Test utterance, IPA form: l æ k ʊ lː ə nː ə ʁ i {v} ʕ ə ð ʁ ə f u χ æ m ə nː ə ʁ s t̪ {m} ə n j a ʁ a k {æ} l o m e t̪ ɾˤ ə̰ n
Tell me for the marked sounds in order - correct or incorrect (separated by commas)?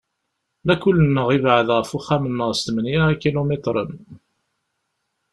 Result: correct, correct, incorrect